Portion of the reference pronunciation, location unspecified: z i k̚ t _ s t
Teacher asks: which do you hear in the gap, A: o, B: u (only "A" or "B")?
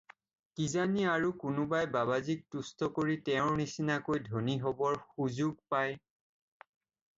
B